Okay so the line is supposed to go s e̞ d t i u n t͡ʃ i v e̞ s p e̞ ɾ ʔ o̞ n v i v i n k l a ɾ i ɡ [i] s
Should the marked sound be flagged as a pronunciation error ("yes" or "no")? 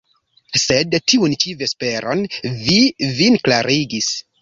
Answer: no